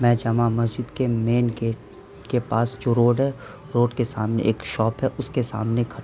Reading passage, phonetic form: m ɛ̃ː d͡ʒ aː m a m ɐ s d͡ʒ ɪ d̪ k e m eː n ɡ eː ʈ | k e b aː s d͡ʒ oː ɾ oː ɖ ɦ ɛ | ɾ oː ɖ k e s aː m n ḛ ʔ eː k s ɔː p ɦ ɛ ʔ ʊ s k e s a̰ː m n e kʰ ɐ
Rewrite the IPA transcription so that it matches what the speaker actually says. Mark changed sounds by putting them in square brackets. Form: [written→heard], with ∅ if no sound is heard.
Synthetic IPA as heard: m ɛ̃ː d͡ʒ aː m a m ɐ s d͡ʒ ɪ d̪ k e m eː n ɡ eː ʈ | k e [b→p] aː s d͡ʒ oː ɾ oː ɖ ɦ ɛ | ɾ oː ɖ k e s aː m n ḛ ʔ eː k [s→ʃ] ɔː p ɦ ɛ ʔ ʊ s k e s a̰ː m n e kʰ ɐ